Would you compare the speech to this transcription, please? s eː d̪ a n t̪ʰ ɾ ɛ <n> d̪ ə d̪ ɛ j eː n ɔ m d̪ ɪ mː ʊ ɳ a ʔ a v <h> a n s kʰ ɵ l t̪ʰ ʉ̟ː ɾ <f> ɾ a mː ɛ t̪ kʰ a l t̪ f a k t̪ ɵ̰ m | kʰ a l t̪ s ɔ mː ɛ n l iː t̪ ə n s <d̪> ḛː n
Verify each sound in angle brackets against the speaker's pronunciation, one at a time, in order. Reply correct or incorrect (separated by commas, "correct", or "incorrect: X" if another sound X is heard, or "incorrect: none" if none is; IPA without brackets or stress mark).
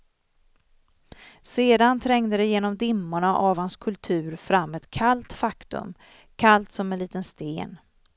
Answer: incorrect: ŋ, correct, correct, incorrect: t̪